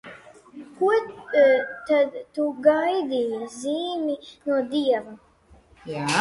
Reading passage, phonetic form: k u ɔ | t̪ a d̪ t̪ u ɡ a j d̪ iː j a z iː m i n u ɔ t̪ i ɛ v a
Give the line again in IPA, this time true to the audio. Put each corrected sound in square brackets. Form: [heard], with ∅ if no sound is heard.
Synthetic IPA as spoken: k u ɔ | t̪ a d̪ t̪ u ɡ a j d̪ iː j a z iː m i n u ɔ [d̪] i ɛ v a